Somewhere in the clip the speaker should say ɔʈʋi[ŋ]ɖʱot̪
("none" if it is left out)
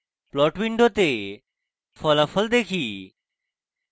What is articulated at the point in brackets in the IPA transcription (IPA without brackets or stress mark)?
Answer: ɳ